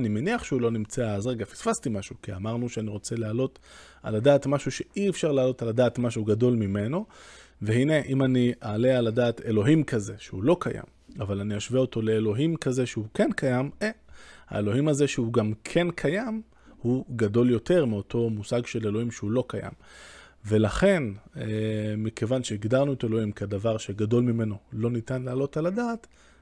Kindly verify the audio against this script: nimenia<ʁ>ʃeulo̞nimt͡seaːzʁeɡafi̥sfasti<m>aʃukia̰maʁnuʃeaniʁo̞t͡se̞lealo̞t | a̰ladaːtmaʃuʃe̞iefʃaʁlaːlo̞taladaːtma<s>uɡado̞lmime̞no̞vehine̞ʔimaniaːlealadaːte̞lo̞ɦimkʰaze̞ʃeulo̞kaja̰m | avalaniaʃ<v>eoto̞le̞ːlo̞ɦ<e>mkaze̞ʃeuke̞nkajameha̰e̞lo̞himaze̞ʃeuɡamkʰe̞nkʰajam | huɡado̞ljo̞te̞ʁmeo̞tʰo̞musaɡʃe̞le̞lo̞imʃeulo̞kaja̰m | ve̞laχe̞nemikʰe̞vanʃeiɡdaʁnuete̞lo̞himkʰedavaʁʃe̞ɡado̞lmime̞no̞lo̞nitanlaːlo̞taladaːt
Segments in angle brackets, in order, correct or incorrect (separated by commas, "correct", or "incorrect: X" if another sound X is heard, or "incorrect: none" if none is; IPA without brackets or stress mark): incorrect: χ, correct, incorrect: ʃ, correct, incorrect: i